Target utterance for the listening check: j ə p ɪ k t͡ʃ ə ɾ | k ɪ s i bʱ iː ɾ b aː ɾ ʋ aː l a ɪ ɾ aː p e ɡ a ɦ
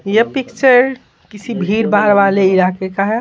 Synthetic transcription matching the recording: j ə p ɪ k t͡ʃ ə ɾ | k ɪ s i bʱ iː ɾ b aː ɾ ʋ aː l e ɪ ɾ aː k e k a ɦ